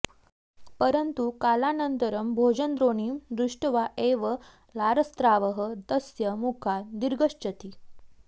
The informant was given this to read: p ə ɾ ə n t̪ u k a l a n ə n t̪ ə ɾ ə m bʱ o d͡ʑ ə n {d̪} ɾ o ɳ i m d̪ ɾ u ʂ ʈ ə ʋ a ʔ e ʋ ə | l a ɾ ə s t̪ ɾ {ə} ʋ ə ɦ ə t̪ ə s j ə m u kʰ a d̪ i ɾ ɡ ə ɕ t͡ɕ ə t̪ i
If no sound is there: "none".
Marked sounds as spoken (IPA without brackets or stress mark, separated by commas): d̪, a